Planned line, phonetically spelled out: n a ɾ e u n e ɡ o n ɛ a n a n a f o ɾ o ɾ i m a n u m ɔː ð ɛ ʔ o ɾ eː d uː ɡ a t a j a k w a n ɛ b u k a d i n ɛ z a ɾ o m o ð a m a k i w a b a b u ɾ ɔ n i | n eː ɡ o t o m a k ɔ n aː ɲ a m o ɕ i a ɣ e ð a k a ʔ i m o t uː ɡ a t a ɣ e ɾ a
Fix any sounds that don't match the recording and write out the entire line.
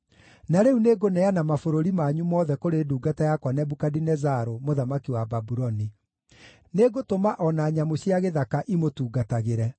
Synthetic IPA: n a ɾ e u n e ɡ o n ɛ a n a m a f o ɾ o ɾ i m a ɲ u m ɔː ð ɛ k o ɾ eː d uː ɡ a t a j a k w a n ɛ b u k a d i n ɛ z a ɾ o m o ð a m a k i w a b a b u ɾ ɔ n i | n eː ɡ o t o m a ʔ ɔ n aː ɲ a m o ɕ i a ɣ e ð a k a ʔ i m o t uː ɡ a t a ɣ e ɾ ɛ